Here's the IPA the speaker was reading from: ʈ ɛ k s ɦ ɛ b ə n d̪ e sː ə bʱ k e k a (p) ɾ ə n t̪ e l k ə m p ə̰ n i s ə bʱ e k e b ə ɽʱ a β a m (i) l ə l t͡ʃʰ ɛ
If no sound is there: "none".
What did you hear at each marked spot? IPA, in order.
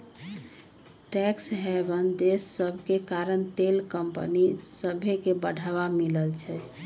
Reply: none, i

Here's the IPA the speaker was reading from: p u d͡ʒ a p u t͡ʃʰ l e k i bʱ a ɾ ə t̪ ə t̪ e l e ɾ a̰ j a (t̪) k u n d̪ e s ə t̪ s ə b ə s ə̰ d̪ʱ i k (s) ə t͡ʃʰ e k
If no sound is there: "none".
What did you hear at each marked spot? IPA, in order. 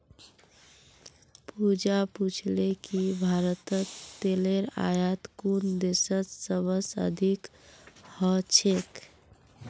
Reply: t̪, h

